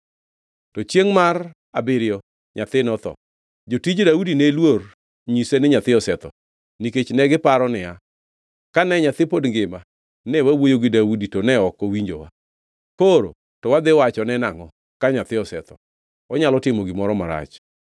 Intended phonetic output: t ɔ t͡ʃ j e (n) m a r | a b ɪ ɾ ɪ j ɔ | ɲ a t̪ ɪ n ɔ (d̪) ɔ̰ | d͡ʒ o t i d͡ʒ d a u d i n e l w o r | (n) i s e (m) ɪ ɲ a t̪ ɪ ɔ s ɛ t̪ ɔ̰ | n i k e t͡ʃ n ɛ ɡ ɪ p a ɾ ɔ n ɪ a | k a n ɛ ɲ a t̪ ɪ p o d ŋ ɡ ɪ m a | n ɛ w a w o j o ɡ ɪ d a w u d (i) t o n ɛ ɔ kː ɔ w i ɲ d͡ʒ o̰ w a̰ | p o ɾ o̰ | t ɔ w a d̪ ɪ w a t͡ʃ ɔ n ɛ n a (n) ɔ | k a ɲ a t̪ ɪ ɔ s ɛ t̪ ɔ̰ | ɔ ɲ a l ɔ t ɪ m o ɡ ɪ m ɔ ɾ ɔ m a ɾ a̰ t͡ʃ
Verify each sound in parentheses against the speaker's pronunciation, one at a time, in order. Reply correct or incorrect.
incorrect, incorrect, incorrect, incorrect, correct, incorrect

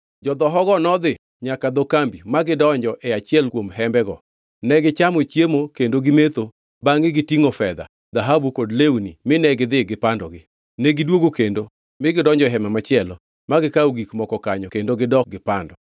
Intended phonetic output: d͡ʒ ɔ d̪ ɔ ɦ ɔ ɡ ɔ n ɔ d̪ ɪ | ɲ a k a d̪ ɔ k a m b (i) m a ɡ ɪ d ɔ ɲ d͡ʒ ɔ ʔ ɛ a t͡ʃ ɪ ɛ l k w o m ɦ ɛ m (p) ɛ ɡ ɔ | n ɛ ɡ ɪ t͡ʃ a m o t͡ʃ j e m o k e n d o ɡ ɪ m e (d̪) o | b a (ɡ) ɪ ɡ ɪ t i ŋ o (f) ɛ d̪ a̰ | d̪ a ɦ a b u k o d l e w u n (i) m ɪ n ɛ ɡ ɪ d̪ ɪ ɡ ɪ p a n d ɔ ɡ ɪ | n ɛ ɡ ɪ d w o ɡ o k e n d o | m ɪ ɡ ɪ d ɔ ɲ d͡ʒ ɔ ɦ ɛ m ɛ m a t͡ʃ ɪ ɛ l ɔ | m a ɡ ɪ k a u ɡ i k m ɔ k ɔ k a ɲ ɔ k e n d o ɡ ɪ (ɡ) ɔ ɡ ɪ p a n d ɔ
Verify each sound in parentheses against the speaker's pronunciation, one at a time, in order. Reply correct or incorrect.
correct, incorrect, incorrect, incorrect, correct, correct, incorrect

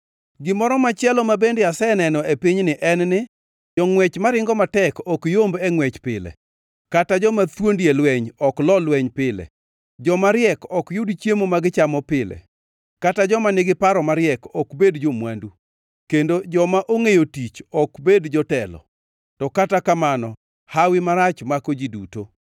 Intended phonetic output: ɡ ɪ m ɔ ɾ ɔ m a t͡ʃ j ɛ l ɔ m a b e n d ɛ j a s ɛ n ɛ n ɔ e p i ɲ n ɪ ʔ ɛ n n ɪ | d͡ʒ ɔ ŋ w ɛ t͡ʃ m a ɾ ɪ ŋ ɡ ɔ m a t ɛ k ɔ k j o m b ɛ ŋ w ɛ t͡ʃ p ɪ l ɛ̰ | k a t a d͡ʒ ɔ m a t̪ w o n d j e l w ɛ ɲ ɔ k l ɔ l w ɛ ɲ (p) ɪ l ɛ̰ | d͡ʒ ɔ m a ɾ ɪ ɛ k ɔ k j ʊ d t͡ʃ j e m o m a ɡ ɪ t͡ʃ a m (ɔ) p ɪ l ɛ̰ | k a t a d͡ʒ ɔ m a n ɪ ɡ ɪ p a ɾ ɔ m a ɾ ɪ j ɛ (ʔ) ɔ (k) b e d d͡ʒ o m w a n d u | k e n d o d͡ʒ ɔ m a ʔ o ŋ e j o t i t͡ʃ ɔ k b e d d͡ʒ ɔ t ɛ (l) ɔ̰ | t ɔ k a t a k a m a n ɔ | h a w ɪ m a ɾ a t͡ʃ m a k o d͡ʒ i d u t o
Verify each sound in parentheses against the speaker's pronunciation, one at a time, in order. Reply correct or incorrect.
correct, correct, incorrect, correct, correct

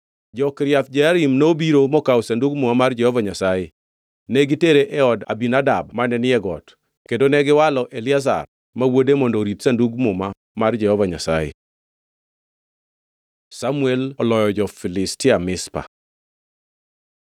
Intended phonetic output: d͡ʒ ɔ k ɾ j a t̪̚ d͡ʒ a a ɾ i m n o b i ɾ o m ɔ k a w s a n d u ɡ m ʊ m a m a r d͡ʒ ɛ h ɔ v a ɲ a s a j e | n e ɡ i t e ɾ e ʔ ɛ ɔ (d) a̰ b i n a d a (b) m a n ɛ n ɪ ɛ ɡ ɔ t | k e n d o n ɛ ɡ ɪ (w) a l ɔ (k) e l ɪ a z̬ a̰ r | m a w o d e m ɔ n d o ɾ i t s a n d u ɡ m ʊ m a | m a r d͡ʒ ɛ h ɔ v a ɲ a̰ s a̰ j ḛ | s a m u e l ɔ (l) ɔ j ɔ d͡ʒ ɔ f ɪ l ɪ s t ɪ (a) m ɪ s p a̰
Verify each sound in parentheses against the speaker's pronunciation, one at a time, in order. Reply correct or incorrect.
correct, correct, correct, incorrect, correct, correct

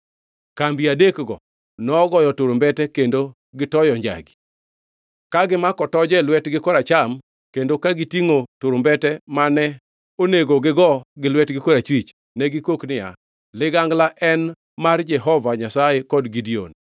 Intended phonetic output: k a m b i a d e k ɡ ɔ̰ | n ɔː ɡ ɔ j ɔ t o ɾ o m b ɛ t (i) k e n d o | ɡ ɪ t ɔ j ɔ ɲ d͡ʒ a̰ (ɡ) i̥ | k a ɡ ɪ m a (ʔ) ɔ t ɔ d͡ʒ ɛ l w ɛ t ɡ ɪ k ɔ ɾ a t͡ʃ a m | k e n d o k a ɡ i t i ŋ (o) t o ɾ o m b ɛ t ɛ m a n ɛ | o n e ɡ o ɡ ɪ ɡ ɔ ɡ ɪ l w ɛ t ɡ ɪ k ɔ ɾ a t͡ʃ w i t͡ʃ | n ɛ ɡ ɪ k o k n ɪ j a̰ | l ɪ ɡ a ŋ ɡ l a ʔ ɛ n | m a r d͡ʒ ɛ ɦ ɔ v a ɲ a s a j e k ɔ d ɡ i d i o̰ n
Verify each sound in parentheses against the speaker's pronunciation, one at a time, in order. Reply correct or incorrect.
incorrect, correct, incorrect, correct

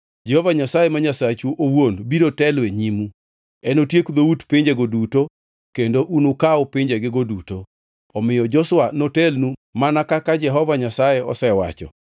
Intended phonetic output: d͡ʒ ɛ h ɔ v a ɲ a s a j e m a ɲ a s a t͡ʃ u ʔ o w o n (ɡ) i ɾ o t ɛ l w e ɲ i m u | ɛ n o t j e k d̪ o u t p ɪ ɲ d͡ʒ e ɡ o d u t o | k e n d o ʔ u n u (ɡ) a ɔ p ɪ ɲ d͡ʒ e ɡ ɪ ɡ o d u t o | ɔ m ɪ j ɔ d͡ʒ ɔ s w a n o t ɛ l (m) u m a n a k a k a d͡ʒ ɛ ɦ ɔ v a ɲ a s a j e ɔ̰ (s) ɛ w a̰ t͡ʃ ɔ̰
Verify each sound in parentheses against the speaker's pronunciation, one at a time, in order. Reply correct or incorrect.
incorrect, incorrect, incorrect, correct

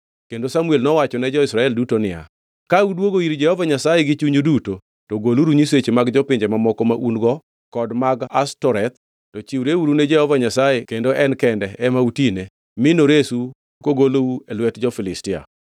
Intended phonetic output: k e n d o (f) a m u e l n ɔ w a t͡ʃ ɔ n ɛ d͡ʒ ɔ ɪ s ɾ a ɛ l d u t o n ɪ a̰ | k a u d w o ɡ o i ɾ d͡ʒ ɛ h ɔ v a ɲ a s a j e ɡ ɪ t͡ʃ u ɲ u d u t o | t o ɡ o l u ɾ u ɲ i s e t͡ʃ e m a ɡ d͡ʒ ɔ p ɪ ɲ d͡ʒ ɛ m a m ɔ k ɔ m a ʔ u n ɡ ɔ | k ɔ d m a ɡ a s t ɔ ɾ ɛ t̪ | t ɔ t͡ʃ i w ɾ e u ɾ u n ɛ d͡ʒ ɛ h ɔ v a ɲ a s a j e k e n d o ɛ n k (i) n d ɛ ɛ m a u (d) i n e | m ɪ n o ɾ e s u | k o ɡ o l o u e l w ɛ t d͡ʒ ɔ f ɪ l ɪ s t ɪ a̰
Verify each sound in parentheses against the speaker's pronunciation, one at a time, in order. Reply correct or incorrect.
incorrect, incorrect, incorrect

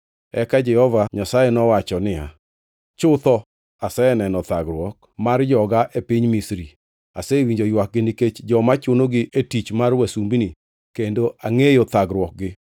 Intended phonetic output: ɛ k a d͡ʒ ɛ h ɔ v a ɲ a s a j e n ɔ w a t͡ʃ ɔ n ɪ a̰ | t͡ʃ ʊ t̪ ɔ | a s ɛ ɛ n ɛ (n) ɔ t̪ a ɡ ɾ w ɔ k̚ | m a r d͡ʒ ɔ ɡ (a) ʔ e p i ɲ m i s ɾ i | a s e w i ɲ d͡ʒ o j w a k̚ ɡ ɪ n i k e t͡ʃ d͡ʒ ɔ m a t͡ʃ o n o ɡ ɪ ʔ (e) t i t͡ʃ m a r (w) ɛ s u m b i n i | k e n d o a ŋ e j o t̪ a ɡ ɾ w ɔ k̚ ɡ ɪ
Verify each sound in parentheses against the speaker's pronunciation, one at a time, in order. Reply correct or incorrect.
correct, correct, correct, correct

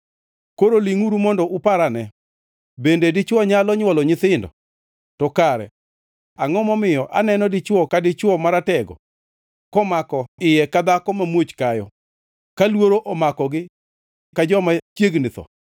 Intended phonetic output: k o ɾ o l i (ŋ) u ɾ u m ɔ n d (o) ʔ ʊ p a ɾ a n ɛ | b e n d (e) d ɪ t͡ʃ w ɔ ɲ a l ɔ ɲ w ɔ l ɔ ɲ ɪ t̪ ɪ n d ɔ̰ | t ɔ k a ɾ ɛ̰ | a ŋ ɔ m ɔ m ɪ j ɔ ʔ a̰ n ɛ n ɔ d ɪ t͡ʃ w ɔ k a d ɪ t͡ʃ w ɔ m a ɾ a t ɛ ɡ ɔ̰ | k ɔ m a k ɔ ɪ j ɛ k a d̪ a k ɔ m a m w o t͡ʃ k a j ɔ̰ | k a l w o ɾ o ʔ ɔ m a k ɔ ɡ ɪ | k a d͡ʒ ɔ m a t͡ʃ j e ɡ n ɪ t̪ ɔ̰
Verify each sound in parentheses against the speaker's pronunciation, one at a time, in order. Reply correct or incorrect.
correct, incorrect, correct

